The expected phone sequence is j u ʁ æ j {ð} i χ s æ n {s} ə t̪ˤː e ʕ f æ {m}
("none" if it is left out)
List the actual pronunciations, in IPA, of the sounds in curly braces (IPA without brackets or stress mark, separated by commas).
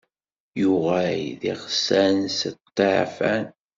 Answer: ð, s, n